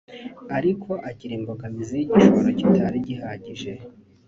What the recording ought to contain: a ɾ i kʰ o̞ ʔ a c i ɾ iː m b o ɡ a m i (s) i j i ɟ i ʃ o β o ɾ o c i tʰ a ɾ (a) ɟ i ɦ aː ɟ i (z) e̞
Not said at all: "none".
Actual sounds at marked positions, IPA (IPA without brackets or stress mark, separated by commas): z, i, ʒ